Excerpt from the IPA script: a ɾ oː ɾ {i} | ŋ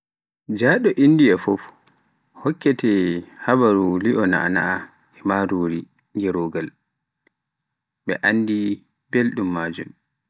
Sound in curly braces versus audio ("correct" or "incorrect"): correct